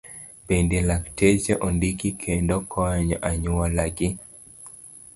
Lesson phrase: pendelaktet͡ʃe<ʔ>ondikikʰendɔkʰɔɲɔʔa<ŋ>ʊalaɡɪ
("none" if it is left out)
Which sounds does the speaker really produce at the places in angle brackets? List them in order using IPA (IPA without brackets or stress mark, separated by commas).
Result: ʔ, ɲ